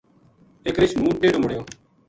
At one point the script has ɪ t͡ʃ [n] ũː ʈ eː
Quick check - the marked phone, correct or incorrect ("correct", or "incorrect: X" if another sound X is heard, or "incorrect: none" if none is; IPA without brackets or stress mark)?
incorrect: m